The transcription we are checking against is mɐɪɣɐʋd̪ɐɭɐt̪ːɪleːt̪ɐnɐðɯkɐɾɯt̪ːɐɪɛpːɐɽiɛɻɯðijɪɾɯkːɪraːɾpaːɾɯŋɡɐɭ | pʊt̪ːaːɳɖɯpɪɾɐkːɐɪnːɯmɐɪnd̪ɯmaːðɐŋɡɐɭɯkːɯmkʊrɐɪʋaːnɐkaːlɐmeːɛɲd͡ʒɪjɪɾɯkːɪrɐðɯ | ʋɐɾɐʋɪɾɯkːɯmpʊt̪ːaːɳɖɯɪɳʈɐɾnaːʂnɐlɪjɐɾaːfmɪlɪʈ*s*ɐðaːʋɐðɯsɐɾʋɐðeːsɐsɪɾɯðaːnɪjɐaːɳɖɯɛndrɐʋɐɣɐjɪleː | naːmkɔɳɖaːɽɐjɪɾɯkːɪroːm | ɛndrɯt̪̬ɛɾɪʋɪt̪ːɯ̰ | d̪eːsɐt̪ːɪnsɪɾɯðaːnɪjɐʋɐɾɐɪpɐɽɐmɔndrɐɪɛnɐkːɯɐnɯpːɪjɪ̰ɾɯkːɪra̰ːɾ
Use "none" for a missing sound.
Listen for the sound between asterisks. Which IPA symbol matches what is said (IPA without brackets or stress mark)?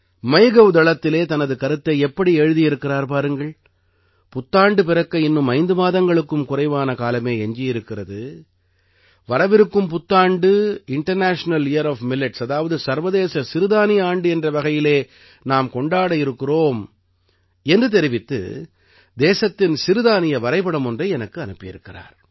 s